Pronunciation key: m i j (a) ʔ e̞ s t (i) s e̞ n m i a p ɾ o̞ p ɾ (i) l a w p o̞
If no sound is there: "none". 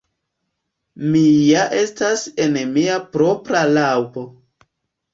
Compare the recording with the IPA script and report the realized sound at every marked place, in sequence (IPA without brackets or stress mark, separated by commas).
a, a, a